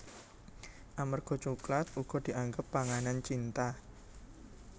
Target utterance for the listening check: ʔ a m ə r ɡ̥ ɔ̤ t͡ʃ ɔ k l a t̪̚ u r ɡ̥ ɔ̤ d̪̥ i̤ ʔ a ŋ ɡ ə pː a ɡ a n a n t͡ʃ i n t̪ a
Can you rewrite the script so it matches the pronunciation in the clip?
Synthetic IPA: ʔ a m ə r ɡ̥ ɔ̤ t͡ʃ u k l a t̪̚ u ɡ̥ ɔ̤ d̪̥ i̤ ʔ a ŋ ɡ ə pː a ŋ a n a n t͡ʃ i n t̪ a